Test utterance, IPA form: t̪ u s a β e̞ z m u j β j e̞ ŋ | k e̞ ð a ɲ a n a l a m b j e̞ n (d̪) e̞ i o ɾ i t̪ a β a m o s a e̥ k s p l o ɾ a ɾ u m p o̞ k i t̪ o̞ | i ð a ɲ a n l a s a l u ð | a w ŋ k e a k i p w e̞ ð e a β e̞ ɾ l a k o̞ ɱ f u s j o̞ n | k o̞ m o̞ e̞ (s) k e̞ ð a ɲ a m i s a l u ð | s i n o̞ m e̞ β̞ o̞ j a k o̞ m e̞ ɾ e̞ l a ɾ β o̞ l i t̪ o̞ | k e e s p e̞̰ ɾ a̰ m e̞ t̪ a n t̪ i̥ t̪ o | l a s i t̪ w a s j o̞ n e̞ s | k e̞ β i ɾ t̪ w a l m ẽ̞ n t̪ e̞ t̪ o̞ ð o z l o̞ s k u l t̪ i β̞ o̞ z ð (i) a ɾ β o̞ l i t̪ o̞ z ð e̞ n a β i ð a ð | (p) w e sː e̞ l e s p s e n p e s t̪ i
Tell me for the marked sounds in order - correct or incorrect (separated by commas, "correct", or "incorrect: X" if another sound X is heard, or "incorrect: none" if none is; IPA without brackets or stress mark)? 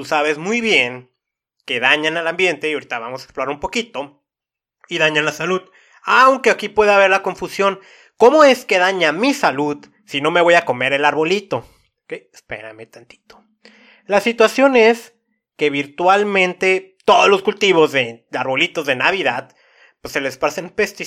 incorrect: t̪, correct, incorrect: e, correct